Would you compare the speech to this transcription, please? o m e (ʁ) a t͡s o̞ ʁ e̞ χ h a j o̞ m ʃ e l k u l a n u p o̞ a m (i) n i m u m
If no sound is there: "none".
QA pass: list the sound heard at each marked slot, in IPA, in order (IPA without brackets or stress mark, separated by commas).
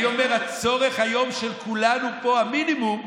ʁ, i